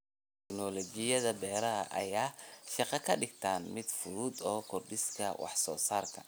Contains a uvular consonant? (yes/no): yes